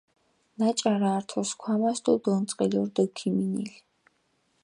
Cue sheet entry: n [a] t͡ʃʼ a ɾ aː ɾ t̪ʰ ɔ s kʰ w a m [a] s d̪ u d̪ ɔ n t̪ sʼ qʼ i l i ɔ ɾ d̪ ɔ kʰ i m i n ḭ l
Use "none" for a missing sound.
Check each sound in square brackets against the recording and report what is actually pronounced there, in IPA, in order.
a, a

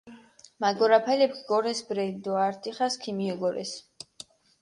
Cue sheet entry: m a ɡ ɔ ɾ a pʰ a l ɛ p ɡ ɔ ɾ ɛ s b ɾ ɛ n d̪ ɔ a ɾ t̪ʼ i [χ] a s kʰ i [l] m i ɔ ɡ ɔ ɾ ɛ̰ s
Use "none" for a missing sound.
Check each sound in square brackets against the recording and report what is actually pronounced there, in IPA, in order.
χ, none

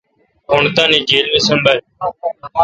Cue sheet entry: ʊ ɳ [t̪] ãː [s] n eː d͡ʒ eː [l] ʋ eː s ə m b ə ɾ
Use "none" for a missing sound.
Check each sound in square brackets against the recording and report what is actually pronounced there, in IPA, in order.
t̪, none, l

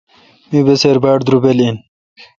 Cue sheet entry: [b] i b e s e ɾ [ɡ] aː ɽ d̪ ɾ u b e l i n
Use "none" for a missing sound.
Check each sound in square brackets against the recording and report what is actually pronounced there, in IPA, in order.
m, b

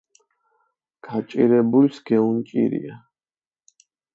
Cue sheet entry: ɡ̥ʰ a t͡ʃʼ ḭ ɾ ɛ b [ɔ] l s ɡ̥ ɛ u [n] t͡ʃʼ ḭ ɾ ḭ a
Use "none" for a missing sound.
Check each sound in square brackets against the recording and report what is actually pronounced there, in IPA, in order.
u, n

